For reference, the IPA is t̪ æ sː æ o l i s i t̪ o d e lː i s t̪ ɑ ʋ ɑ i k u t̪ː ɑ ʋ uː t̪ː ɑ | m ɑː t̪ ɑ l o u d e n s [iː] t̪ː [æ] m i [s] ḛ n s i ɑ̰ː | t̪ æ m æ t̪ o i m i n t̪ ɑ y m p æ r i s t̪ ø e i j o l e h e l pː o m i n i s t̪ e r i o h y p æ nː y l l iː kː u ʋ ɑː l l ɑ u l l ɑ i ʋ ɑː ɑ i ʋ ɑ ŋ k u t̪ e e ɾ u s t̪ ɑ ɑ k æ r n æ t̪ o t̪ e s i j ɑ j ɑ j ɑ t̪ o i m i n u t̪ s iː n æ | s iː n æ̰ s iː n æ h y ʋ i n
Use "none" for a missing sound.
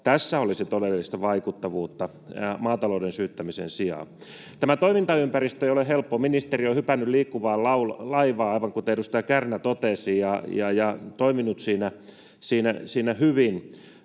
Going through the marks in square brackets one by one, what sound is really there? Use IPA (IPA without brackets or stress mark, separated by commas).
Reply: yː, æ, s